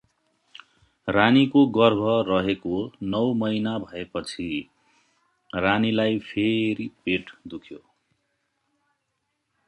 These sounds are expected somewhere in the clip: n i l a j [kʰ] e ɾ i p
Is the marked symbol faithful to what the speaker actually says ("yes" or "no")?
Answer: no